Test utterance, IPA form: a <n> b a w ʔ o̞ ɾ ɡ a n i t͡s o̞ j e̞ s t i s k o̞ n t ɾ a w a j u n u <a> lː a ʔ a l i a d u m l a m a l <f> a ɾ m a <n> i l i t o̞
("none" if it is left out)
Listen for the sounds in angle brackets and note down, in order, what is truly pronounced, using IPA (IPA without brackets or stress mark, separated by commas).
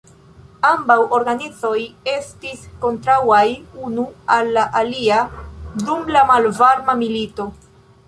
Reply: m, a, v, m